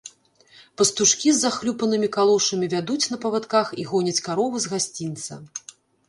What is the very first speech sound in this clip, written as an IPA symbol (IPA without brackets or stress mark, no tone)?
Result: p